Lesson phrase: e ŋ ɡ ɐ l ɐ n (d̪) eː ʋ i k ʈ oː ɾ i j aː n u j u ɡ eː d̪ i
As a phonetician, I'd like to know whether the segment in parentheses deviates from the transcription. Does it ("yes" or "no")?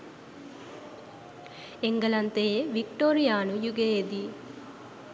yes